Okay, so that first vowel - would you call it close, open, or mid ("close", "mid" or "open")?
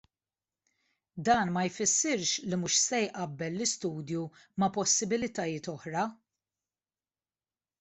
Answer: open